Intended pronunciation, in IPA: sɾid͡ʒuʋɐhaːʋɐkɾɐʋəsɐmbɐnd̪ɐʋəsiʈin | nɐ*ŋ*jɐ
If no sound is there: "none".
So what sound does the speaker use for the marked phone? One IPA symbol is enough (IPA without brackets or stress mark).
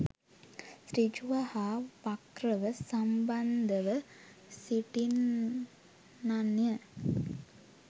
n